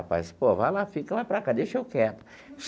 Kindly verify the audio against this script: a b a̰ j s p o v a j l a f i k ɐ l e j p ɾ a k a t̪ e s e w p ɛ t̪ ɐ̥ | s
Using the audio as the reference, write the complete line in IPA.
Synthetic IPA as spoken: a p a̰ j s p o v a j l a f i k ɐ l a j p ɾ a k a d̪ e ʃ e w k ɛ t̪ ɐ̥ | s